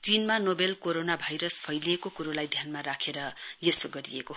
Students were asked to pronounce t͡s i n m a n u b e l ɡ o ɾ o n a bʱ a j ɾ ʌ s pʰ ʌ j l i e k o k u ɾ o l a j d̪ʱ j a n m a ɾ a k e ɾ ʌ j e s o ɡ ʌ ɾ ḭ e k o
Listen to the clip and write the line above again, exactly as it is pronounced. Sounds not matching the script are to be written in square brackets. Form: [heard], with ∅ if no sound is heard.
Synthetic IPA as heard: t͡s i n m a n [o] b e l [k] o ɾ o n a bʱ a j ɾ ʌ s pʰ ʌ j l i e k o k u ɾ o l a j d̪ʱ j a n m a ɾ a [kʰ] e ɾ ʌ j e s o ɡ ʌ ɾ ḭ e k o